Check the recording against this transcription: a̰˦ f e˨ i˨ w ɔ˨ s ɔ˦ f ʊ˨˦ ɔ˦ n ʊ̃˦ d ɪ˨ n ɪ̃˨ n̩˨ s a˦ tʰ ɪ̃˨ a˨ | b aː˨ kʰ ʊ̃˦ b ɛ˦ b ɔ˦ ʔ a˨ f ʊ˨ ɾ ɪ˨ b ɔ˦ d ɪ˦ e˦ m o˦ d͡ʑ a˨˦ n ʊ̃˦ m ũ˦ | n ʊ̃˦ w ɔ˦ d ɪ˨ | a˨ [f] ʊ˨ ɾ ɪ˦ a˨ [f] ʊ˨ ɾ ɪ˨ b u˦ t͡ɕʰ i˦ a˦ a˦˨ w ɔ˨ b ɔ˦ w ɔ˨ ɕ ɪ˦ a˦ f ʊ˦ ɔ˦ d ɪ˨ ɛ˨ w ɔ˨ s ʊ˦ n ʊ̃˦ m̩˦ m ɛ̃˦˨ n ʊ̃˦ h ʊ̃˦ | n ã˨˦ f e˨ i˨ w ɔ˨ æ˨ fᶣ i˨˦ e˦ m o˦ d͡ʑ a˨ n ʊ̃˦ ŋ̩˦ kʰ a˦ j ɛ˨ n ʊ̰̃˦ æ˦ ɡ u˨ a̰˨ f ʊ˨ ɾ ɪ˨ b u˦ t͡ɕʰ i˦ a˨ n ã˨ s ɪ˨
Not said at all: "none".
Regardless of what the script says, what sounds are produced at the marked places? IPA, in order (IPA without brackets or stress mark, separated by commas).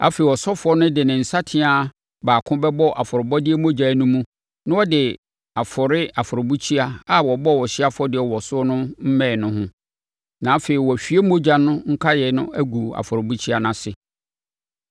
f, f